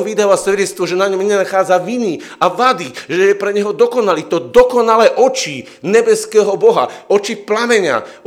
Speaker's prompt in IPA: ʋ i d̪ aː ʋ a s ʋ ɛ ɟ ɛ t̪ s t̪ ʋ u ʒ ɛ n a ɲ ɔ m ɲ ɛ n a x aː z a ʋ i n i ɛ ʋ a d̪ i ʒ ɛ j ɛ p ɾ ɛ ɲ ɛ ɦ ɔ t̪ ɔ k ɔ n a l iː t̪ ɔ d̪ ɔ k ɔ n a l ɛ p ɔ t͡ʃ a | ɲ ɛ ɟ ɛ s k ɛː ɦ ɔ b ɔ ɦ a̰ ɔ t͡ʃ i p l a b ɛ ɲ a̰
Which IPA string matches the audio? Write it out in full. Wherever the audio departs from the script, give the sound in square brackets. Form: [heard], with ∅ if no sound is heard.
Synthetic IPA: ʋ i d̪ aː ʋ a s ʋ ɛ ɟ ɛ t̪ s t̪ ʋ [ɔ] ʒ ɛ n a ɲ ɔ m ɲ ɛ n a x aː [d͡z] a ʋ i n i [a] ʋ a d̪ i ʒ ɛ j ɛ p ɾ ɛ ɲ ɛ ɦ ɔ [d̪] ɔ k ɔ n a l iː t̪ ɔ d̪ ɔ k ɔ n a l ɛ [ʔ] ɔ t͡ʃ [i] | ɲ ɛ [b] ɛ s k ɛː ɦ ɔ b ɔ ɦ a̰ ɔ t͡ʃ i p l a [m] ɛ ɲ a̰